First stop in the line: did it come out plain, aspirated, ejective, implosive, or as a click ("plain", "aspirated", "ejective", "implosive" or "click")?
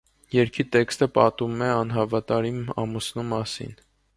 aspirated